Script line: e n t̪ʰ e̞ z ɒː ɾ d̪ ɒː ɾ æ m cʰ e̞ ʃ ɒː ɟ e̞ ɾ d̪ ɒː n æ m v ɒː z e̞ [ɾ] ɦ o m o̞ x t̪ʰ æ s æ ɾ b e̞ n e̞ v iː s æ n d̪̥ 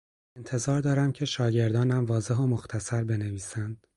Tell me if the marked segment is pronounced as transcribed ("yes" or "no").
no